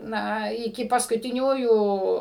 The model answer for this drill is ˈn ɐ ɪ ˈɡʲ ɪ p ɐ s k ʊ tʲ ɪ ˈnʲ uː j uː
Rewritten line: ˈn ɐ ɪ ˈkʲ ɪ p ɐ s k ʊ tʲ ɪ ˈnʲ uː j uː